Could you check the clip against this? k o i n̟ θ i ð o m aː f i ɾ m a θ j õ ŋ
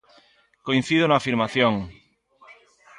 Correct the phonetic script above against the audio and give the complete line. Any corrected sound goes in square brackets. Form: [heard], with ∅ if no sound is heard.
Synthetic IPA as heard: k o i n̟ θ i ð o [n] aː f i ɾ m a θ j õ ŋ